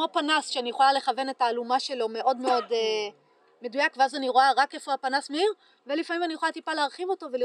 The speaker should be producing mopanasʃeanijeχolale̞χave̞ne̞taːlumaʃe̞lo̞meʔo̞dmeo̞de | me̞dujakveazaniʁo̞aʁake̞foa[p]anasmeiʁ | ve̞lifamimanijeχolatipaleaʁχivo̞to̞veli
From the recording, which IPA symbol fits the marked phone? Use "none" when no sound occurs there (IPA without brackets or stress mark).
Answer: p